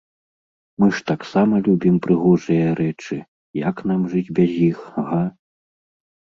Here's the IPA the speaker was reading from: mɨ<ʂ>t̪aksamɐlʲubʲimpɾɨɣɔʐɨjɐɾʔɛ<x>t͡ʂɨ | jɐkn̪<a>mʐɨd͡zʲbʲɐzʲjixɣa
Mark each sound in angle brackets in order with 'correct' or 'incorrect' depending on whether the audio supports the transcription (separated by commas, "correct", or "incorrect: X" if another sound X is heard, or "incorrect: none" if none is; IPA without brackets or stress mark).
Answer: correct, incorrect: none, correct